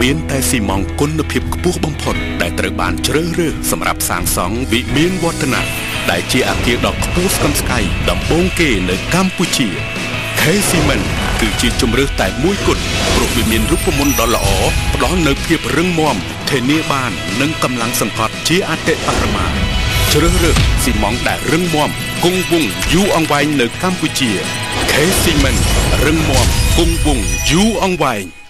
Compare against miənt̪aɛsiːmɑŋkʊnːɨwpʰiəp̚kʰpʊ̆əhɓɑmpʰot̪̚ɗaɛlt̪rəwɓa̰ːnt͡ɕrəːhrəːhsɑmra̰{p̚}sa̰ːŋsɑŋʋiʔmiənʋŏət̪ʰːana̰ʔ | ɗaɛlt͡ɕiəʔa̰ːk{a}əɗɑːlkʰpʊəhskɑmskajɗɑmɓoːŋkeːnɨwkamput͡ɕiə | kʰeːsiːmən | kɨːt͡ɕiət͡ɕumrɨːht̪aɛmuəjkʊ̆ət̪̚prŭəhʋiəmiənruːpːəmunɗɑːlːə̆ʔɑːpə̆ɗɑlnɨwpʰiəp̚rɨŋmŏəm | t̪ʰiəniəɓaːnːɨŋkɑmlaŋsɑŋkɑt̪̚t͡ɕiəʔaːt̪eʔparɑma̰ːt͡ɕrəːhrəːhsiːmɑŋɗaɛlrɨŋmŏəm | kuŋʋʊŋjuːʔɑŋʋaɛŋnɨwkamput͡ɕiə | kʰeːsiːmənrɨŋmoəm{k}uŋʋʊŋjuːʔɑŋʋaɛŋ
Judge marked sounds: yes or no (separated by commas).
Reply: yes, no, yes